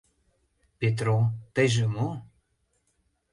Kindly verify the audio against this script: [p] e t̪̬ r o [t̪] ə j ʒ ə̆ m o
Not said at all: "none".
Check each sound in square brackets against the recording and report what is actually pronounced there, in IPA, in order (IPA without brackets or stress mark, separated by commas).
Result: p, t̪